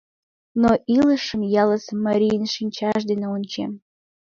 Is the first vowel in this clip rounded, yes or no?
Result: yes